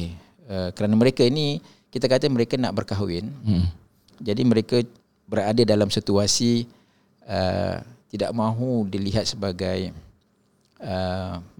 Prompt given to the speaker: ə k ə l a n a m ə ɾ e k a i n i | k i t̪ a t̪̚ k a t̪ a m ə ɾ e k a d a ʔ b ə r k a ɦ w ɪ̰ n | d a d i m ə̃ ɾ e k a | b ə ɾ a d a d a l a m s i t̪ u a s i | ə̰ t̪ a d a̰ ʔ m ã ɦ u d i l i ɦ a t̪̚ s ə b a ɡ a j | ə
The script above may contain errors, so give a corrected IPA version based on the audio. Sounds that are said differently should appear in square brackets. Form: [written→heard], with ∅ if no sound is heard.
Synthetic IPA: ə k ə [l→ɾ] a n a m ə ɾ e k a i n i | k i t̪ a [t̪̚→∅] k a t̪ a m ə ɾ e k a [d→n] a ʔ b ə r k a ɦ w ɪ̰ n | [d→d͡ʒ] a d i m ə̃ ɾ e k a | b ə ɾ a d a d a l a m s i t̪ u a s i | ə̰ t̪ [a→i] d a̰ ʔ m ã ɦ u d i l i ɦ a t̪̚ s ə b a ɡ a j | ə